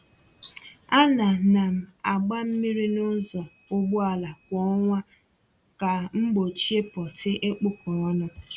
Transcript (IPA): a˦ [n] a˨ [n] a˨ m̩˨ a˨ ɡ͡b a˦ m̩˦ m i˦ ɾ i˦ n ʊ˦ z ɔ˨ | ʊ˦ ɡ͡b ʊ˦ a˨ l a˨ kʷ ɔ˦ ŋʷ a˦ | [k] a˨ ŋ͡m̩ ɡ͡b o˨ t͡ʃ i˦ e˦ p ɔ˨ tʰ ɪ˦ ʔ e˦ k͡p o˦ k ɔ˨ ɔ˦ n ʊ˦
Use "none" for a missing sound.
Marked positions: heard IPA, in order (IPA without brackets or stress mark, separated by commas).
n, n, k